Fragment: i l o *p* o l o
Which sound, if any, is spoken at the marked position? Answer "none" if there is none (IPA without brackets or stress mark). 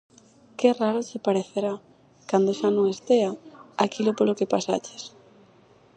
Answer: p